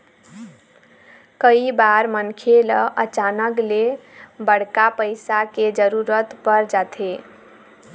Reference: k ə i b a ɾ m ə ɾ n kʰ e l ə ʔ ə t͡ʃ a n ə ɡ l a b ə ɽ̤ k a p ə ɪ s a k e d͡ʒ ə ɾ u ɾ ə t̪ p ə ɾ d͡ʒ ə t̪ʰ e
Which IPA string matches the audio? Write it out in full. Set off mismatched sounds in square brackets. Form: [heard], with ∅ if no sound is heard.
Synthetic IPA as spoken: k ə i b a ɾ m ə [∅] n kʰ e l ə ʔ ə t͡ʃ a n ə [k] l [e] b ə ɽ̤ k a p ə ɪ s a k e d͡ʒ ə ɾ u ɾ ə t̪ p ə ɾ d͡ʒ [a] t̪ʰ e